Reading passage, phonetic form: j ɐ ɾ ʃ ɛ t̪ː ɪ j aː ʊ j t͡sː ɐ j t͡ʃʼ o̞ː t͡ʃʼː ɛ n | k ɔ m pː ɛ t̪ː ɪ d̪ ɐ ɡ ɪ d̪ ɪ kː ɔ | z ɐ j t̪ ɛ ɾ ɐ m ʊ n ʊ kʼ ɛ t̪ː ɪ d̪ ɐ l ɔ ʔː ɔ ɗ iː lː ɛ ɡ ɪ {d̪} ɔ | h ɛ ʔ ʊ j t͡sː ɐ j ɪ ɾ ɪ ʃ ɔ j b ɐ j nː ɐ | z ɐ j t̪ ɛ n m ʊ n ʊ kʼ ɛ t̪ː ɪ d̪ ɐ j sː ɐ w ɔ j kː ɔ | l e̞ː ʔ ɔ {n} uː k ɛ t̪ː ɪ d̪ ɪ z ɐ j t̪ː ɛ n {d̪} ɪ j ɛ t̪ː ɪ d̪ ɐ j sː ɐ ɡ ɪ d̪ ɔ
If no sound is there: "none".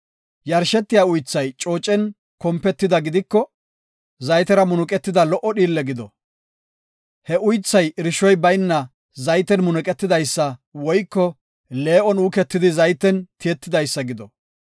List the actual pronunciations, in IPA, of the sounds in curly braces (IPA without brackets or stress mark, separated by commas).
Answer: d̪, n, t̪